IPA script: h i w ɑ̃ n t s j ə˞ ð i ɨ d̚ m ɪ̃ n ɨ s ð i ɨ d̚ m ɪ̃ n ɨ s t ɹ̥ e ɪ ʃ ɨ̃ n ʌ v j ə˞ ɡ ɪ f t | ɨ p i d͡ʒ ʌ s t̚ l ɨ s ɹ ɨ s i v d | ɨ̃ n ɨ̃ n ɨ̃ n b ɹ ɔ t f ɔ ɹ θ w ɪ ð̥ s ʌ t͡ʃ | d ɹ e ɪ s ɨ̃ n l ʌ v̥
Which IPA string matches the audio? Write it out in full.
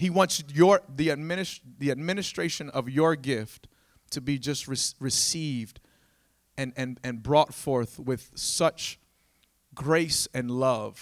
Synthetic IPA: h i w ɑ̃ n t s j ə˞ ð i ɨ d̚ m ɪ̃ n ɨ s ð i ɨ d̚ m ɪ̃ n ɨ s t ɹ̥ e ɪ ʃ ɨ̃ n ʌ v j ə˞ ɡ ɪ f tʰ | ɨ b i d͡ʒ ʌ s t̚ ɹ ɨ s ɹ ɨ s i v d | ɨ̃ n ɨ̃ n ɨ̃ n b ɹ ɔ t f ɔ ɹ θ w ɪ ð̥ s ʌ t͡ʃ | ɡ ɹ e ɪ s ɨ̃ n l ʌ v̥